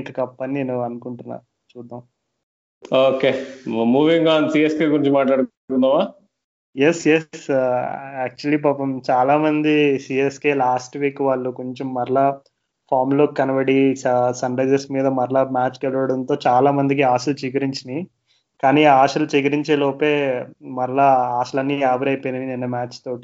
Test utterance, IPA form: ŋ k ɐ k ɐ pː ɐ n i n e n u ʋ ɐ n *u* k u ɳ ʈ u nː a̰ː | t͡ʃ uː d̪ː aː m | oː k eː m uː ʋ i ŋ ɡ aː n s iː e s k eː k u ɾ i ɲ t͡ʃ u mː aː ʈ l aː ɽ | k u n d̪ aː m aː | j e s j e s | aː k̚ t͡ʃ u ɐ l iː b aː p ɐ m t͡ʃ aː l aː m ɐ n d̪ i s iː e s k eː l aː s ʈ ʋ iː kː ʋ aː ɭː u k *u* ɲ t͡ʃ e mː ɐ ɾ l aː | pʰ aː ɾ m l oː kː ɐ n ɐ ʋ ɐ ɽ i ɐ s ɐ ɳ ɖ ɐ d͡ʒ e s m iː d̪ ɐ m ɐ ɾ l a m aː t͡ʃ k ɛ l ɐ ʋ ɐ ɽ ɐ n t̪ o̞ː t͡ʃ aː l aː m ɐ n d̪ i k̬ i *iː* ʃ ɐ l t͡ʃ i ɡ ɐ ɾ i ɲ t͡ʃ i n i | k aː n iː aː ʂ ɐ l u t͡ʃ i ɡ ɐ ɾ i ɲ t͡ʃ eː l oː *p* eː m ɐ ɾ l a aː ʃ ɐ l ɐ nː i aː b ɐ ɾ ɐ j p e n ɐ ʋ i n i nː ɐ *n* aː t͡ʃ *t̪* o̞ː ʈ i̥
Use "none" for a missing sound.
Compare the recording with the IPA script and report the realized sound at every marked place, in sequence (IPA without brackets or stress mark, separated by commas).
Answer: u, o, aː, p, m, t̪